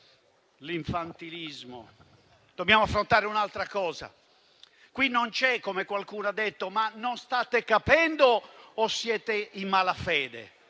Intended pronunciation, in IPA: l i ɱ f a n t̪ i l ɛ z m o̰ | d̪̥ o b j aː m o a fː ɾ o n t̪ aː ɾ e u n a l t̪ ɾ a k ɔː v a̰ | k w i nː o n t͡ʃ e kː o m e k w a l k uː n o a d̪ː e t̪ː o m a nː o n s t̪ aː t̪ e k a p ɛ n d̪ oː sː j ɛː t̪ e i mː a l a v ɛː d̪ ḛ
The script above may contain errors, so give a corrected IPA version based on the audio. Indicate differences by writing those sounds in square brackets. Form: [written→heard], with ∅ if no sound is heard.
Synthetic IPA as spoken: l i ɱ f a n t̪ i l [ɛ→i] z m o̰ | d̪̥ o b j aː m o a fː ɾ o n t̪ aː ɾ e u n a l t̪ ɾ a k ɔː [v→z] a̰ | k w i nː o n t͡ʃ [e→ɛ] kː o m e k w a l k uː n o a d̪ː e t̪ː o m a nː o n s t̪ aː t̪ e k a p ɛ n d̪ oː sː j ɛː t̪ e i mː a l a [v→f] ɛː d̪ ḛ